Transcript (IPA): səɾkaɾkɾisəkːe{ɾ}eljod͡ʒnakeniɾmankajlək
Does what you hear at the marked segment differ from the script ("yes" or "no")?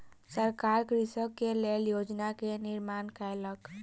yes